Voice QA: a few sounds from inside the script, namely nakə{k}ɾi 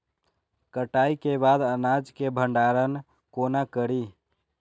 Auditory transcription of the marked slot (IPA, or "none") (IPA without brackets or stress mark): none